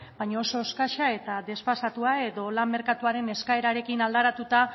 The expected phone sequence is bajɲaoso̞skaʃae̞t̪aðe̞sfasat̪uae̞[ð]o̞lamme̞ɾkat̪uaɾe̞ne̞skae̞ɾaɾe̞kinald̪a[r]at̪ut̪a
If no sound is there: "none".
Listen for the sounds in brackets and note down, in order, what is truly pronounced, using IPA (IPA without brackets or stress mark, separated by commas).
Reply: ð, ɾ